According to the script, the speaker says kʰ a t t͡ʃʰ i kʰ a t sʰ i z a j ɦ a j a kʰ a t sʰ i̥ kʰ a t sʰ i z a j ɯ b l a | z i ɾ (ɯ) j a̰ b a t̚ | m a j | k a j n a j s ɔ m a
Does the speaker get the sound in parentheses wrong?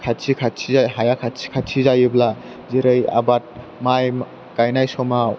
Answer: no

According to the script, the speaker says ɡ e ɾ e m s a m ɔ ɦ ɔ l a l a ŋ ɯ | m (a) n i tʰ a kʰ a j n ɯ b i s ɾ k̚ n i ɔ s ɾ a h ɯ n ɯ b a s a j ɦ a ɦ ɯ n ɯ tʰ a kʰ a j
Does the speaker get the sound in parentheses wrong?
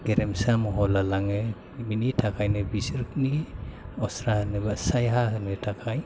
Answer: yes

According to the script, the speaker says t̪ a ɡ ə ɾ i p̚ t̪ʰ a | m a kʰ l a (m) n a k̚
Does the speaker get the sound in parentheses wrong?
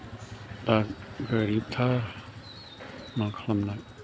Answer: no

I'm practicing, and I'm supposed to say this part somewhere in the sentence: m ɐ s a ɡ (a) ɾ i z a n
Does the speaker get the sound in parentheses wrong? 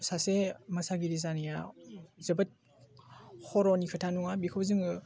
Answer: yes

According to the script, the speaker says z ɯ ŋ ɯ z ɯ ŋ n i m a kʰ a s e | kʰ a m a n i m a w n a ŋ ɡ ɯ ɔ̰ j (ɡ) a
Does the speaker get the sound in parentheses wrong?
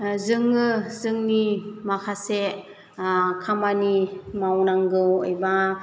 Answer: yes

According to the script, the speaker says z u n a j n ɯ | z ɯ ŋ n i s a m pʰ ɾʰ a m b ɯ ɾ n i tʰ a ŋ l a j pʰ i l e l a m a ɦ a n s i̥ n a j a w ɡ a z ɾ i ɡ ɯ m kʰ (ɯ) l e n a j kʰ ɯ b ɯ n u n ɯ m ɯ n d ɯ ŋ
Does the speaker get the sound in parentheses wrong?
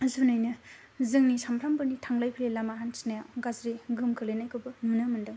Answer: no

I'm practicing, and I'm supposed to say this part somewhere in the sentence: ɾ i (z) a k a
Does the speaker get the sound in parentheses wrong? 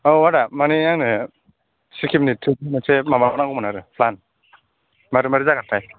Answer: no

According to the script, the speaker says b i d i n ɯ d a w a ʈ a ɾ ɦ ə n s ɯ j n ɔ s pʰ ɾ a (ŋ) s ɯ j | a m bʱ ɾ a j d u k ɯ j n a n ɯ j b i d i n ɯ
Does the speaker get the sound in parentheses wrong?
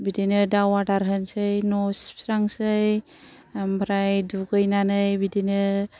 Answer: no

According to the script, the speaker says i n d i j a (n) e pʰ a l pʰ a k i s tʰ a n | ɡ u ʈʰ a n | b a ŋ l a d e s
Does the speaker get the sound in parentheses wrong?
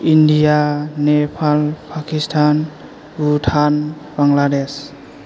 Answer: no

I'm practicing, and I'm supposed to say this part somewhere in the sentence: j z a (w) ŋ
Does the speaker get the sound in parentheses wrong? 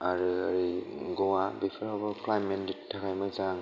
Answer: yes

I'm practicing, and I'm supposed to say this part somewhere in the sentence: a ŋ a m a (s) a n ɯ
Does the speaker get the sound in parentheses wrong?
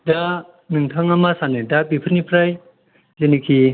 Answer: no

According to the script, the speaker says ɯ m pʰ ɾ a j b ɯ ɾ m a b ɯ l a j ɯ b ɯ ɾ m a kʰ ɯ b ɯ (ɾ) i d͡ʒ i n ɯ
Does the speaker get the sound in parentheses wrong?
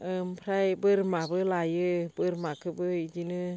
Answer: yes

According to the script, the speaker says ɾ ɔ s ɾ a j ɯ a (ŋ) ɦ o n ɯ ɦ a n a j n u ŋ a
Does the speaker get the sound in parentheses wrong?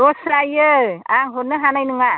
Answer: no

